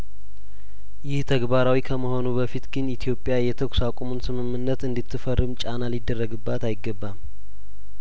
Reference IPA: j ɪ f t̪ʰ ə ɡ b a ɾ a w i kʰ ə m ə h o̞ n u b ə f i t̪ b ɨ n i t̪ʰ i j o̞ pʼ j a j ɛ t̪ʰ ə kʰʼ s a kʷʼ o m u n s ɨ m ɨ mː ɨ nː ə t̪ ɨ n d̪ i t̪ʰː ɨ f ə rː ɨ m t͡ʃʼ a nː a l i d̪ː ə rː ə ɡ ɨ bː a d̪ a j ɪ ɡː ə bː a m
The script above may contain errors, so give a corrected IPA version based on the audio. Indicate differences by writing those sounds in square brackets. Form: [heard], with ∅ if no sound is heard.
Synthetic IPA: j ɪ [h] t̪ʰ ə ɡ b a ɾ a w i kʰ ə m ə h o̞ n u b ə f i t̪ [ɡ] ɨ n i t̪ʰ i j o̞ pʼ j a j ɛ t̪ʰ ə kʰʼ s a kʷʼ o m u n s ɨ m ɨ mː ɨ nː ə t̪ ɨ n d̪ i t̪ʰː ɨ f ə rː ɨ m t͡ʃʼ a [n] a l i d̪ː ə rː ə ɡ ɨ bː a [t̪] a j ɪ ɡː ə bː a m